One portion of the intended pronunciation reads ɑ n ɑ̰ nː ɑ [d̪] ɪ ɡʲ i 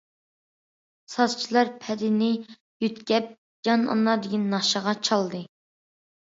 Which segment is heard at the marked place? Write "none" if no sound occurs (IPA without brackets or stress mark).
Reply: d̪